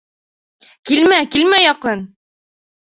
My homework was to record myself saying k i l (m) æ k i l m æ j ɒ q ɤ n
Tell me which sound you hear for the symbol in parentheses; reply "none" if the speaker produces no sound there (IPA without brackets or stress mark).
m